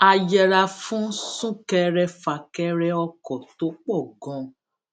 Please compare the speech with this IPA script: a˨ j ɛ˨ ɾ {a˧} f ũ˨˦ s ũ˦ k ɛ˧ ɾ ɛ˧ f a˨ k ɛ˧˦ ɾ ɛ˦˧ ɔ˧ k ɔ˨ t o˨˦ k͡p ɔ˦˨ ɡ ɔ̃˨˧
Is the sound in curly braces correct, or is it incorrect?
correct